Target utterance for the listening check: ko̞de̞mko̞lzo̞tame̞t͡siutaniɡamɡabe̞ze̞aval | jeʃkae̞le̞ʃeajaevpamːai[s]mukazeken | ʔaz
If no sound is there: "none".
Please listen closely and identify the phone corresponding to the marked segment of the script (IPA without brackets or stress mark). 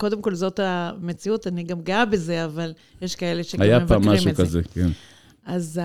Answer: ʃ